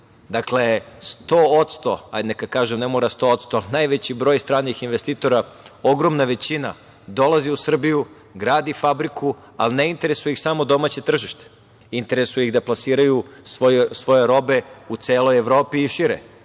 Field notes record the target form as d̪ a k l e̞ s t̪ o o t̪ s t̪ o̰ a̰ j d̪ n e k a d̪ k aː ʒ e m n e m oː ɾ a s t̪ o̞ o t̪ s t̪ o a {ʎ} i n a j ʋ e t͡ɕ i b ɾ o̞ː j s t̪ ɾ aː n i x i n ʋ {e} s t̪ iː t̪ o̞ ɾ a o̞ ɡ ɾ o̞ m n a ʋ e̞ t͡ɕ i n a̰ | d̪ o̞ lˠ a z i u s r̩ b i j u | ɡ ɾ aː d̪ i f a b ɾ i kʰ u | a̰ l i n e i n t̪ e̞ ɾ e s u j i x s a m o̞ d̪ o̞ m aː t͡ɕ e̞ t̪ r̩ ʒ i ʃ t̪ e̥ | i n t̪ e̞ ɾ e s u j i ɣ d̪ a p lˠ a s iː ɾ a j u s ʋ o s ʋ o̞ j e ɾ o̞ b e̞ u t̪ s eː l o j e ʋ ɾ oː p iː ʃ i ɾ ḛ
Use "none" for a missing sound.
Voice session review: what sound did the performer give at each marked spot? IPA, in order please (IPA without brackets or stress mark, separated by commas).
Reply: l, e